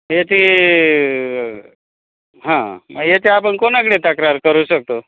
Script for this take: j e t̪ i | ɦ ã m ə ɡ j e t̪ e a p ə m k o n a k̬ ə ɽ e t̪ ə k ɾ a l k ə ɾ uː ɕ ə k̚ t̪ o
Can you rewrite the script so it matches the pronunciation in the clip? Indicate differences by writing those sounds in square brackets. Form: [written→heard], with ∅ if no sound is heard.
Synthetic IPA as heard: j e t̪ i | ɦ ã m ə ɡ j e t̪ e a p ə [m→ɳ] k o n a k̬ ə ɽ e t̪ ə k ɾ a [l→ɾ] k ə ɾ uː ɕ ə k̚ t̪ o